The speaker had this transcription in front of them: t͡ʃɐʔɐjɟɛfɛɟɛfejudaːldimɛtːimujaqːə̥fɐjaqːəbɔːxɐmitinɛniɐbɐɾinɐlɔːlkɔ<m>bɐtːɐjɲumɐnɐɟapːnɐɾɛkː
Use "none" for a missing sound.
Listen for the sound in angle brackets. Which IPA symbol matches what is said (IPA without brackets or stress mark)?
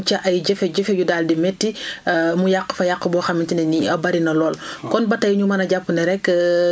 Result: n